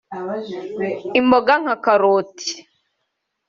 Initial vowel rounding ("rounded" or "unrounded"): unrounded